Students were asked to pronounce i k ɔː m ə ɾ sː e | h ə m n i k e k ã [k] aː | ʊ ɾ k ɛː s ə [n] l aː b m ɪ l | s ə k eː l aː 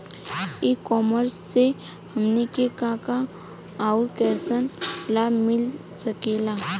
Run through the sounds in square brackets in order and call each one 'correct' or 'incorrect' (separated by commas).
correct, correct